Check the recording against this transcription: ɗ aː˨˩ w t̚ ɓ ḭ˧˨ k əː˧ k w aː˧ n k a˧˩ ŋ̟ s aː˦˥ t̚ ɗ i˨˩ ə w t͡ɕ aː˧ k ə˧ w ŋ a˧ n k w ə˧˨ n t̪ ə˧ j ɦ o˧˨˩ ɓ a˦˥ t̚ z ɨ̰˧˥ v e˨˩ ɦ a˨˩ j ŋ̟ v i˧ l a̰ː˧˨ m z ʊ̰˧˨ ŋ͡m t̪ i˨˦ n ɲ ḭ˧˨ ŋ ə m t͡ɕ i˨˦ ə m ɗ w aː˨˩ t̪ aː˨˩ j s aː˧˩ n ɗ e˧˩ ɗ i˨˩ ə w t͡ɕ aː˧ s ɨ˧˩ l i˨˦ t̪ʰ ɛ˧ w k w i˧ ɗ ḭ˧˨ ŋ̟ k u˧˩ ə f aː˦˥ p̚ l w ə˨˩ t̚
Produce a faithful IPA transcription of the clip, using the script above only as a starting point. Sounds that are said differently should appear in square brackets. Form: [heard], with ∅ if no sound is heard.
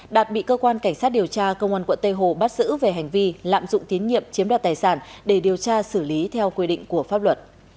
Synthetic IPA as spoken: ɗ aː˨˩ [∅] t̚ ɓ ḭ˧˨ k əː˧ k w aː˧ n k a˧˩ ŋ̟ s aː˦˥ t̚ ɗ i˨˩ ə w t͡ɕ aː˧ k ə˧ w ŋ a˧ n k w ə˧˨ n t̪ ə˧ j ɦ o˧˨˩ ɓ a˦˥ t̚ z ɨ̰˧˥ v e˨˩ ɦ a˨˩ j ŋ̟ v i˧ l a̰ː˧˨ m z ʊ̰˧˨ ŋ͡m t̪ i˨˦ n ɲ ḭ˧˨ [∅] ə m t͡ɕ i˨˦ ə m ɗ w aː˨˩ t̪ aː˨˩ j s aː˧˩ n ɗ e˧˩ ɗ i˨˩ ə w t͡ɕ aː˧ s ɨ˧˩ l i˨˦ t̪ʰ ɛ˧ w k w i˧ ɗ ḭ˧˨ ŋ̟ k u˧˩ ə f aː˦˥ p̚ l w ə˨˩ t̚